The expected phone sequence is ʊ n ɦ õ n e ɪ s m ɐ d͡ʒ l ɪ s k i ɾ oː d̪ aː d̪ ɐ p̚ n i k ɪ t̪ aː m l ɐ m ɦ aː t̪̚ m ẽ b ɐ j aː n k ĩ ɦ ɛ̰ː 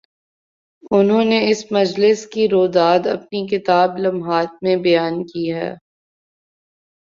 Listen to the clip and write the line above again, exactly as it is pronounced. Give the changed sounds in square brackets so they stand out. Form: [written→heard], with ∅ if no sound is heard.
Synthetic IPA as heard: ʊ n ɦ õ n e ɪ s m ɐ d͡ʒ l ɪ s k i ɾ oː d̪ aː d̪ ɐ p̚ n i k ɪ t̪ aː [m→b] l ɐ m ɦ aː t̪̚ m ẽ b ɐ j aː n k [ĩ→i] ɦ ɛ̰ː